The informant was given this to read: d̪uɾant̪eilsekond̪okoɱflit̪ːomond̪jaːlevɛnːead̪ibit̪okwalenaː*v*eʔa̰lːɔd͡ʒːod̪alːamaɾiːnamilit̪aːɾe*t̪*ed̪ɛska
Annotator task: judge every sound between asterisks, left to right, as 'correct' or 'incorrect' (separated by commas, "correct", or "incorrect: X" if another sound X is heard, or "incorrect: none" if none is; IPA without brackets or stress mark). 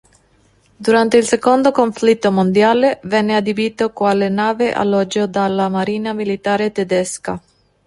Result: correct, correct